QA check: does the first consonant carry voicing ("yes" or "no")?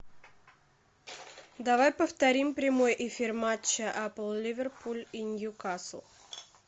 yes